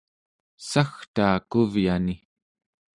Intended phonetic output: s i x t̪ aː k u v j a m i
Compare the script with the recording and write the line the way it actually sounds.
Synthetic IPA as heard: s a x t̪ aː k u v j a n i